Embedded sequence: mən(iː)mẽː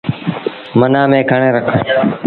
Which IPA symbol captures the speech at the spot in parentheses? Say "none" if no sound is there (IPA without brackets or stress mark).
aː